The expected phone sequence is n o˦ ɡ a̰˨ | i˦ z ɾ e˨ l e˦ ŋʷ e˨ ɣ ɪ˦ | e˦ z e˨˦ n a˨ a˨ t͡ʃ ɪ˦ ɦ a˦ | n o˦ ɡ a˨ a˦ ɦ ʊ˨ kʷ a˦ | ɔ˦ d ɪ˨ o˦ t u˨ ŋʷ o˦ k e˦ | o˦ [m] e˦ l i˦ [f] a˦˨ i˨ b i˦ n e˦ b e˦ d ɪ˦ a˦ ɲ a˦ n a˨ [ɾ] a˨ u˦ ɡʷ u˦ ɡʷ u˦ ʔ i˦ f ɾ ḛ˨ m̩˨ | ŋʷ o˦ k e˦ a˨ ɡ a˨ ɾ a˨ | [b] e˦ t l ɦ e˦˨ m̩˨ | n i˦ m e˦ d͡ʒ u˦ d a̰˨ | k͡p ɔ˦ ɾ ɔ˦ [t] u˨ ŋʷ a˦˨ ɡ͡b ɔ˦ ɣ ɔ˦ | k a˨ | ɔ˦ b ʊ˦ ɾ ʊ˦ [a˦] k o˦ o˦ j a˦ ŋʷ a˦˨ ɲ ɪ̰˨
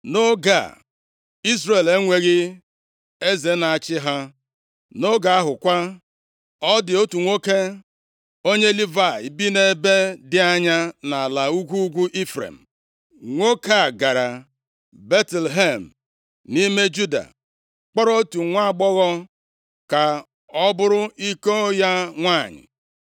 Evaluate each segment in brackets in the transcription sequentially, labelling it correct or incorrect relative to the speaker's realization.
incorrect: ɲ, incorrect: v, incorrect: l, correct, correct, incorrect: i˦

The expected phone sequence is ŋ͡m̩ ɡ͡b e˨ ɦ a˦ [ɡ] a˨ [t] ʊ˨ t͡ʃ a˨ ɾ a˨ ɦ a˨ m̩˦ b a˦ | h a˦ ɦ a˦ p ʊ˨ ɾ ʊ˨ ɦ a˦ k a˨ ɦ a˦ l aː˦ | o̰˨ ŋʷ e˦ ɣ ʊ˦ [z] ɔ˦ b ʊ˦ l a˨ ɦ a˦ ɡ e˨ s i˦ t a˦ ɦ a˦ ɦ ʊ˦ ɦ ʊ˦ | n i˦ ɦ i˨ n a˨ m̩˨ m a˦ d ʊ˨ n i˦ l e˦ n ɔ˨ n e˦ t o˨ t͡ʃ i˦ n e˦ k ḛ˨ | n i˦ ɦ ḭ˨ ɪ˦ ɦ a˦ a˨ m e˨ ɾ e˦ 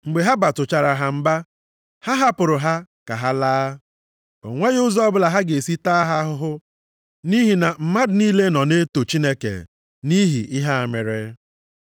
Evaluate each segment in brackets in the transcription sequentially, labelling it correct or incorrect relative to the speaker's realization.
incorrect: b, correct, correct

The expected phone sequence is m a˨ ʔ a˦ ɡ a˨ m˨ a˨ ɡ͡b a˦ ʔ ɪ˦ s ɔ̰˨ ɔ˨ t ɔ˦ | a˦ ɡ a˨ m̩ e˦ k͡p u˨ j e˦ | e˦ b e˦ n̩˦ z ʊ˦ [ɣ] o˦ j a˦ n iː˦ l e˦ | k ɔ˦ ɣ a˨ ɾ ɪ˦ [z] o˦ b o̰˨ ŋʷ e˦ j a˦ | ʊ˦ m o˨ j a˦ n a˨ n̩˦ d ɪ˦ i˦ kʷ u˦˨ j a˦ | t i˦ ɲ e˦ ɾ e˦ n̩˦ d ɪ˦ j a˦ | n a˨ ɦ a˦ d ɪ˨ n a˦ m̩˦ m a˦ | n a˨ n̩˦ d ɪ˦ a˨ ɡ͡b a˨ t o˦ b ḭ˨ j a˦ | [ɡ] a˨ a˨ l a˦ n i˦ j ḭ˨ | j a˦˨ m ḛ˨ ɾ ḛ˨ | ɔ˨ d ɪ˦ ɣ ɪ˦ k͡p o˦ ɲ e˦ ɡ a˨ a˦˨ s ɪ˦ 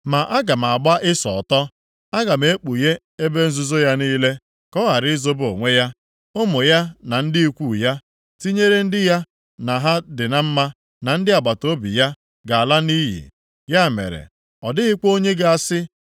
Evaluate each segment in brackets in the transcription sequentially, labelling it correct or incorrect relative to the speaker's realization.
incorrect: z, correct, correct

